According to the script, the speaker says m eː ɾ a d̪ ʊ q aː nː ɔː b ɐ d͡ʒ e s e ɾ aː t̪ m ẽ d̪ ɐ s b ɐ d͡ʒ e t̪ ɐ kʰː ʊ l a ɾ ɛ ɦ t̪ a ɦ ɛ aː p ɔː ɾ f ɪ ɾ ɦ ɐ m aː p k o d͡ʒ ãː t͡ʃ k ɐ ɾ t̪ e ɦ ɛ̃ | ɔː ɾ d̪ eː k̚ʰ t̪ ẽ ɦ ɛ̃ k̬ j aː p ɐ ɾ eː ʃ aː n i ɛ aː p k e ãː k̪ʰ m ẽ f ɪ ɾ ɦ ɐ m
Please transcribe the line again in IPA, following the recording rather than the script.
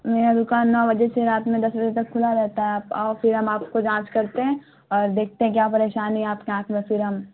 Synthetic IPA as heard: m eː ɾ a d̪ ʊ k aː nː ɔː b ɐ d͡ʒ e s e ɾ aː t̪ m ẽ d̪ ɐ s b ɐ d͡ʒ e t̪ ɐ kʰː ʊ l a ɾ ɛ ɦ t̪ a ɦ ɛ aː p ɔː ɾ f ɪ ɾ ɦ ɐ m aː p k o d͡ʒ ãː t͡ʃ k ɐ ɾ t̪ e ɦ ɛ̃ | ɔː ɾ d̪ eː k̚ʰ t̪ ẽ ɦ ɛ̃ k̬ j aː p ɐ ɾ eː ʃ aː n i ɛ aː p k e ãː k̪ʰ m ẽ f ɪ ɾ ɦ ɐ m